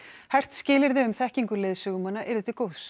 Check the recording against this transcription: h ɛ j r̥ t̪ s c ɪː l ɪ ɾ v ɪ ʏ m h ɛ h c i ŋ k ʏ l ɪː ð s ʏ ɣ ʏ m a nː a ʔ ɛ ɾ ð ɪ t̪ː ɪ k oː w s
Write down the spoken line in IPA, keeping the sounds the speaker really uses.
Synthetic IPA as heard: h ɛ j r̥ t̪ s c ɪː l ɪ ɾ ð ɪ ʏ m θ ɛ h c i ŋ k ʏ l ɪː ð s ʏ ɣ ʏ m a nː a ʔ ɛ ɾ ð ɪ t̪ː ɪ k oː w s